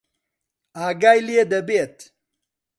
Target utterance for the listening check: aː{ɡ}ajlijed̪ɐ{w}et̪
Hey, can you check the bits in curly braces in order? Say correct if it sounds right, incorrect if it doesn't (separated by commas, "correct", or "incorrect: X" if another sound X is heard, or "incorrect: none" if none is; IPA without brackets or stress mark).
correct, incorrect: b